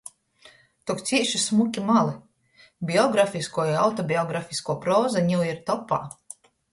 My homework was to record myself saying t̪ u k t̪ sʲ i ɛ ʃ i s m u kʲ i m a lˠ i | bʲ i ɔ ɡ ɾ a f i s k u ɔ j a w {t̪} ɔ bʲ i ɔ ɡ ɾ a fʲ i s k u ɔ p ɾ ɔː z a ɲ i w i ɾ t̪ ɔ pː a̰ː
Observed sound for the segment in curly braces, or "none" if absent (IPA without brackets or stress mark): t̪